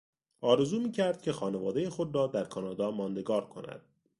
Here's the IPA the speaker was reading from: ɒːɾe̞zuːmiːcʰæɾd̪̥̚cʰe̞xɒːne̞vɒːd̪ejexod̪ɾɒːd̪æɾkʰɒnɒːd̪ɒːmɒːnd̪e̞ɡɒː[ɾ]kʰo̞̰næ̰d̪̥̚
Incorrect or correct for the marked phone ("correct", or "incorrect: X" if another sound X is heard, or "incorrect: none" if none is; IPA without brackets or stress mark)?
correct